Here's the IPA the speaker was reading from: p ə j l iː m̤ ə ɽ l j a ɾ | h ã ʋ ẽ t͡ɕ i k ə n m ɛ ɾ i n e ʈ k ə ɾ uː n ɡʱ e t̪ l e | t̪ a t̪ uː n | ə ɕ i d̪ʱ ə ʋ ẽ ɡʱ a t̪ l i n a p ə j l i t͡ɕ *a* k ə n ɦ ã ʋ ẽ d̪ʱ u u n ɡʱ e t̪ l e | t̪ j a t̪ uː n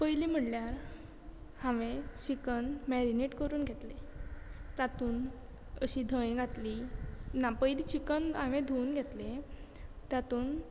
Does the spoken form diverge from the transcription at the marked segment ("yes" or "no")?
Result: yes